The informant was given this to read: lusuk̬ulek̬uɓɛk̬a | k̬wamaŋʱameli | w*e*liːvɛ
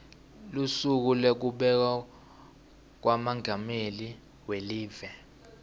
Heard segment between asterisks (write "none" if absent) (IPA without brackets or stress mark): e